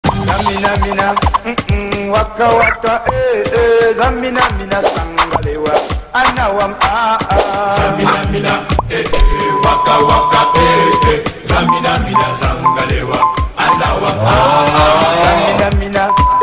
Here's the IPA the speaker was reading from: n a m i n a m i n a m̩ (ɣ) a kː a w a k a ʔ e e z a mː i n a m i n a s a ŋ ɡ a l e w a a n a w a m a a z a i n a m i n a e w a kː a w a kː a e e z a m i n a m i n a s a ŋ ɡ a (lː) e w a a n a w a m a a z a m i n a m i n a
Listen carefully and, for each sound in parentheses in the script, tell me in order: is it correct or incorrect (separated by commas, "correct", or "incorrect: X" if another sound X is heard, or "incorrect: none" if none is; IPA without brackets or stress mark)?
incorrect: w, incorrect: l